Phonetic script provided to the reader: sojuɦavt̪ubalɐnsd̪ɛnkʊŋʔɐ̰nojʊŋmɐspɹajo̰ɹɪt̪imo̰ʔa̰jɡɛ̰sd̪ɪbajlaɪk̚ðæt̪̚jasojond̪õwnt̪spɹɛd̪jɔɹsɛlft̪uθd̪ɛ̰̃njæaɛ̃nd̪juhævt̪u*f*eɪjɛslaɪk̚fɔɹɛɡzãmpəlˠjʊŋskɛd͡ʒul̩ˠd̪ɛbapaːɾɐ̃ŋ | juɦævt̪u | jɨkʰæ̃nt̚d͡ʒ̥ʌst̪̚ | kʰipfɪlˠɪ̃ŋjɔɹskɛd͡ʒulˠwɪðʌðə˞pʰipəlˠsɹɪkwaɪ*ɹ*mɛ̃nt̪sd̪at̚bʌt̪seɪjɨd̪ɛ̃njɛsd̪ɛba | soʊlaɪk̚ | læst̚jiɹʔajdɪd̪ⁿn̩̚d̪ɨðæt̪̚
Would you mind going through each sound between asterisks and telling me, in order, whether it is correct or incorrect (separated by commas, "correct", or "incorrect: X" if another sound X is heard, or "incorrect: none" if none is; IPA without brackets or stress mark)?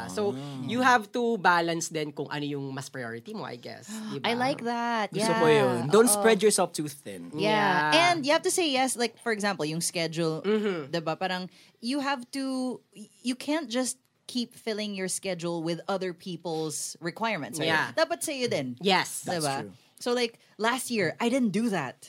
incorrect: s, correct